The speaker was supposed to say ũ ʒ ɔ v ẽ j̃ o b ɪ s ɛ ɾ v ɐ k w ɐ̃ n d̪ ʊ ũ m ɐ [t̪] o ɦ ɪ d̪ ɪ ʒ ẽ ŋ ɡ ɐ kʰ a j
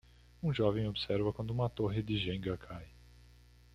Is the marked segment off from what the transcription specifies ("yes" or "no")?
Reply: no